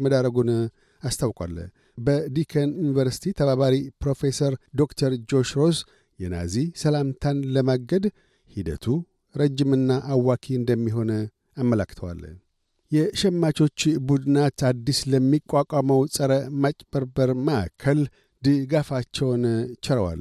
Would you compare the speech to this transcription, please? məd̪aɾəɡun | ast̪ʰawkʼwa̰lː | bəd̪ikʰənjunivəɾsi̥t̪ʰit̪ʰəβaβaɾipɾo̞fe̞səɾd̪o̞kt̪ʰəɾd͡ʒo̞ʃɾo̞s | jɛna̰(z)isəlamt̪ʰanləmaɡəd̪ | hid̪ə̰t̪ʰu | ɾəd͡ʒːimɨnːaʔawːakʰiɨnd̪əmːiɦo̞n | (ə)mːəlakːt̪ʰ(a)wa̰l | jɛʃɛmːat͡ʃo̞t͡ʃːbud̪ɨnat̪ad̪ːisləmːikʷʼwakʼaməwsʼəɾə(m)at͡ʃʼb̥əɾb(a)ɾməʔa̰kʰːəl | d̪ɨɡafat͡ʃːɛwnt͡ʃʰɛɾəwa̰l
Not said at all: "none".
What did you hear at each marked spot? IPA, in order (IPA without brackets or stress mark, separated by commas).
z, a, ə, m, ə